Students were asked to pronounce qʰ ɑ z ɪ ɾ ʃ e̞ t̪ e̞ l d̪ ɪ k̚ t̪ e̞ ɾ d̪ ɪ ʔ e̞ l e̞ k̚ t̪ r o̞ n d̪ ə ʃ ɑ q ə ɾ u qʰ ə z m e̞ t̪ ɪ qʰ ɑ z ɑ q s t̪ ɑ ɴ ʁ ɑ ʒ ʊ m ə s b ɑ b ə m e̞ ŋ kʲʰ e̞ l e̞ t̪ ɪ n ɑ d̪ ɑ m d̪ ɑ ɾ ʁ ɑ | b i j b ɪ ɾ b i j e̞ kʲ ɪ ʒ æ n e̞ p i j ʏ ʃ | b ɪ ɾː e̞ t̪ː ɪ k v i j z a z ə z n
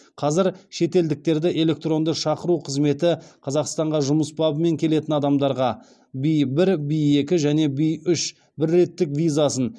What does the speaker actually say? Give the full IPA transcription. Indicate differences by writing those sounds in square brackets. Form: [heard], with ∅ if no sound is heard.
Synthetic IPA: qʰ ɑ z ɪ ɾ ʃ e̞ t̪ e̞ l d̪ ɪ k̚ t̪ e̞ ɾ d̪ ɪ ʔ e̞ l e̞ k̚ t̪ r o̞ n d̪ ə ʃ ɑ q ə ɾ u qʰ ə z m e̞ t̪ ɪ qʰ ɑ z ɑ q s t̪ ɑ ɴ ʁ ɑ ʒ ʊ m ə s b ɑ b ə m e̞ ŋ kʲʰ e̞ l e̞ t̪ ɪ n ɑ d̪ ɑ m d̪ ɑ ɾ ʁ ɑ | b i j b ɪ ɾ b i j e̞ kʲ ɪ ʒ æ n e̞ [b] i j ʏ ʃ | b ɪ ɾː e̞ t̪ː ɪ k v i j z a [s] ə [∅] n

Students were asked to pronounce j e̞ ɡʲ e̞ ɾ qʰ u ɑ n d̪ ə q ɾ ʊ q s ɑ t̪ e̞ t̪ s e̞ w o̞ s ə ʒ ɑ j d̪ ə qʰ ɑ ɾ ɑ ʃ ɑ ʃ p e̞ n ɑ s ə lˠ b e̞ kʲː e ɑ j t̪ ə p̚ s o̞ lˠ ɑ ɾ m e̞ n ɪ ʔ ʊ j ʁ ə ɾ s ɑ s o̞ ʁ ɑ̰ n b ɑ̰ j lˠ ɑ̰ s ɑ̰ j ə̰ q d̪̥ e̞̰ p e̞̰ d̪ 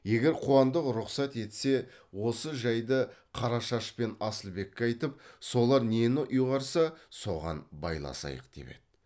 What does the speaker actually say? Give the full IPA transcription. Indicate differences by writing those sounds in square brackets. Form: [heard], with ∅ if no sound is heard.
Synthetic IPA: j e̞ ɡʲ e̞ ɾ qʰ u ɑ n d̪ ə q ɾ ʊ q s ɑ t̪ e̞ t̪ s e̞ w o̞ s ə ʒ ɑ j d̪ ə qʰ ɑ ɾ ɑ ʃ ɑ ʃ p e̞ n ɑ s ə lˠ b e̞ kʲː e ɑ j t̪ ə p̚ s o̞ lˠ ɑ ɾ [n] e̞ n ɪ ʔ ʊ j ʁ [ɑ] ɾ s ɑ s o̞ ʁ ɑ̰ n b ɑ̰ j lˠ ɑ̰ s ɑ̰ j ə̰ q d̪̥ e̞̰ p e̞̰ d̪

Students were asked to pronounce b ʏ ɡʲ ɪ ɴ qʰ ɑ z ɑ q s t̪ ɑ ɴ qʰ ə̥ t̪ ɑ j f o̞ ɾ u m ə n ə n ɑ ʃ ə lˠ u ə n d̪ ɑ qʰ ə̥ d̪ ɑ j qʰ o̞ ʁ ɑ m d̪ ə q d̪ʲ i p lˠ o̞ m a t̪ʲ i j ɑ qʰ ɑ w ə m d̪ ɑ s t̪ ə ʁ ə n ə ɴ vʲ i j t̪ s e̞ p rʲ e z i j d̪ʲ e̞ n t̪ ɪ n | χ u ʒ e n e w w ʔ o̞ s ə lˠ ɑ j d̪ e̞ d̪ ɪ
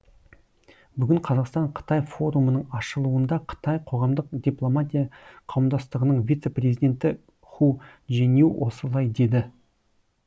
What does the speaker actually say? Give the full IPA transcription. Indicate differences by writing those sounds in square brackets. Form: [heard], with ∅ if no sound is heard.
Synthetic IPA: b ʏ ɡʲ ɪ ɴ qʰ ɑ z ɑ q s t̪ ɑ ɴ qʰ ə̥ t̪ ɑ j f o̞ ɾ u m ə n ə [ɴ] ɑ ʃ ə lˠ u ə n d̪ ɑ qʰ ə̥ [t̪] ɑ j qʰ o̞ ʁ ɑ m d̪ ə q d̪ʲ i p lˠ o̞ m a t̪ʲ i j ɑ qʰ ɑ w ə m d̪ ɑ s t̪ ə ʁ ə n ə ɴ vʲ i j t̪ s e̞ p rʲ e z i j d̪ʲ e̞ n t̪ ɪ [∅] | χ u ʒ e n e w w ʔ o̞ s ə lˠ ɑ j d̪ e̞ d̪ ɪ

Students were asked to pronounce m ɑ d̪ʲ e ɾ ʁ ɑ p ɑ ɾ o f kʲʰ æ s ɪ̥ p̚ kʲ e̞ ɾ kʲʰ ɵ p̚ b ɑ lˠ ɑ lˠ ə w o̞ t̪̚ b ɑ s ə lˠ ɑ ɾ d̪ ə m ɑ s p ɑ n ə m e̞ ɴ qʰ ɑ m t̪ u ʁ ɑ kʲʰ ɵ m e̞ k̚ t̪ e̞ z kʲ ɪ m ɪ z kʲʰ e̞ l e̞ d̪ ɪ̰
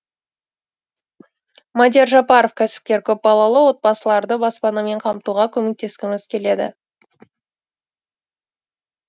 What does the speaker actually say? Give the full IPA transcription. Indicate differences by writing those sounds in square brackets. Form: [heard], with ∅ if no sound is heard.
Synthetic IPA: m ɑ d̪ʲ e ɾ [ʒ] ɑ p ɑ ɾ o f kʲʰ æ s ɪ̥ p̚ kʲ e̞ ɾ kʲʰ ɵ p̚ b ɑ lˠ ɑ lˠ ə w o̞ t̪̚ b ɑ s ə lˠ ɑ ɾ d̪ ə [b] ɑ s p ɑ n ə m e̞ ɴ qʰ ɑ m t̪ u ʁ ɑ kʲʰ ɵ m e̞ k̚ t̪ e̞ [s] kʲ ɪ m ɪ z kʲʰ e̞ l e̞ d̪ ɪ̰

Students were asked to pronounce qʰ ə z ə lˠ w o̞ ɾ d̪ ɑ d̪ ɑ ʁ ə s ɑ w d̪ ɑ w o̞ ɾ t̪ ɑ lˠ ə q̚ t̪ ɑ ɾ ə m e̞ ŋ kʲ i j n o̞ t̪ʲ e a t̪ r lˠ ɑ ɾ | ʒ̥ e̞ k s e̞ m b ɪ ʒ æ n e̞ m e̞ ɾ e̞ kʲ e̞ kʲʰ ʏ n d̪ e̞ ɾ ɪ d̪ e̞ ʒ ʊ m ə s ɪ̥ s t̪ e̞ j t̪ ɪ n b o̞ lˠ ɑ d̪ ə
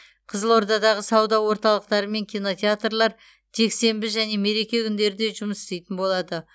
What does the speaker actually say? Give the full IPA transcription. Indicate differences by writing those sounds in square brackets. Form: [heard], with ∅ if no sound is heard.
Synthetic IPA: qʰ ə z ə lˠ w o̞ ɾ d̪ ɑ d̪ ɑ ʁ ə s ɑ w d̪ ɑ w o̞ ɾ t̪ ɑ lˠ ə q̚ t̪ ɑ ɾ ə m e̞ ŋ kʲ i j n o̞ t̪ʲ e a t̪ r lˠ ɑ ɾ | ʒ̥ e̞ k s e̞ m b ɪ ʒ æ n e̞ m e̞ ɾ e̞ kʲ e̞ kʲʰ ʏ n d̪ e̞ ɾ ɪ d̪ e̞ ʒ ʊ m ə s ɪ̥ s t̪ e̞ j t̪ ɪ n b o̞ lˠ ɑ d̪ ə

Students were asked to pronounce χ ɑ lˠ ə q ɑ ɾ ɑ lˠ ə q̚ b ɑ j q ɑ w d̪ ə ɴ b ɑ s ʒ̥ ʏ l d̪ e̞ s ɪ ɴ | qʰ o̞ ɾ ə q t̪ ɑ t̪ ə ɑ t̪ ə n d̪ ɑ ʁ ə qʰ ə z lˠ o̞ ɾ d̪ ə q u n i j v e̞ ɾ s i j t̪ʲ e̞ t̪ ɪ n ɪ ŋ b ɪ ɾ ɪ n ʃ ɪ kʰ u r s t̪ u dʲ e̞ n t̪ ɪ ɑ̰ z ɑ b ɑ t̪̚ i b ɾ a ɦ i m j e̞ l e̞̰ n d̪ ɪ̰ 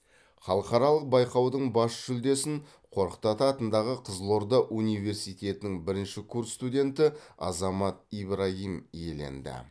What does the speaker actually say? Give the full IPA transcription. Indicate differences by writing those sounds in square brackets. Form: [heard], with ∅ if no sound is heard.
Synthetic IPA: χ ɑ lˠ ə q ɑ ɾ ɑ lˠ ə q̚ b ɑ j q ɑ w d̪ ə ɴ b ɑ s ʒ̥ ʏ l d̪ e̞ s ɪ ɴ | qʰ o̞ ɾ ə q t̪ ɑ t̪ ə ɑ t̪ ə n d̪ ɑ ʁ ə qʰ ə z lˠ o̞ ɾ d̪ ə [ʔ] u n i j v e̞ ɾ s i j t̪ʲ e̞ t̪ ɪ n ɪ ŋ b ɪ ɾ ɪ n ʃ ɪ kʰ u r s t̪ u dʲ e̞ n t̪ ɪ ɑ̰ z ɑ [m] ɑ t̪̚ i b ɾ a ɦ i m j e̞ l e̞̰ n d̪ ɪ̰

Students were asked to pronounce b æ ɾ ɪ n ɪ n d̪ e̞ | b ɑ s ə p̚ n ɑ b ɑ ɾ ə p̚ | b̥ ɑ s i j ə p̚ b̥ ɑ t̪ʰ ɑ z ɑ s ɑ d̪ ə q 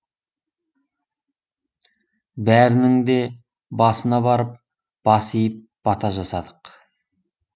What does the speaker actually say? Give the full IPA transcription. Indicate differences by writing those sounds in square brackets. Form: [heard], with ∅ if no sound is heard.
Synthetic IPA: b æ ɾ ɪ n ɪ [ŋ] d̪ e̞ | b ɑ s ə [∅] n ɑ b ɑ ɾ ə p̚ | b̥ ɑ s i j ə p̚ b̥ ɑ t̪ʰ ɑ [ʒ] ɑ s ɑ d̪ ə q

